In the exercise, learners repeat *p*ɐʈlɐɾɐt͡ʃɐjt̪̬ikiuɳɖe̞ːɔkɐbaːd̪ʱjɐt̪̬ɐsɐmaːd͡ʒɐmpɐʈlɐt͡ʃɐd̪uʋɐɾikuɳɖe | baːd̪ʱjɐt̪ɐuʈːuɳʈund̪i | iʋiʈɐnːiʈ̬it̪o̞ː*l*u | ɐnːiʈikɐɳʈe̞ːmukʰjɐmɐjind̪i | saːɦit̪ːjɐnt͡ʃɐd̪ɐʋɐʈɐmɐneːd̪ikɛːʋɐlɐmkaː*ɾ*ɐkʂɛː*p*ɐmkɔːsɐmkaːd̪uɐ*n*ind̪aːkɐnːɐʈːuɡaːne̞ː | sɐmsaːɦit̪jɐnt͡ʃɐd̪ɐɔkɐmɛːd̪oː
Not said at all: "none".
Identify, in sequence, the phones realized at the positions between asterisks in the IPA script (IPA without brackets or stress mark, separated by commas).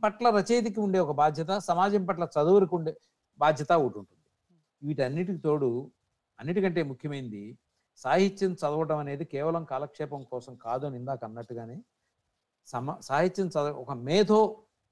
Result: p, ɽ, l, p, n